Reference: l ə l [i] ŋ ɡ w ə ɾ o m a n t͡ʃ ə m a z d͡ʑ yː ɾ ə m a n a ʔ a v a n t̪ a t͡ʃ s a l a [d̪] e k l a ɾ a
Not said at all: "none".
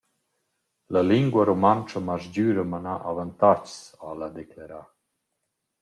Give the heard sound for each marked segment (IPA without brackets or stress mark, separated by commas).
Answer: i, d̪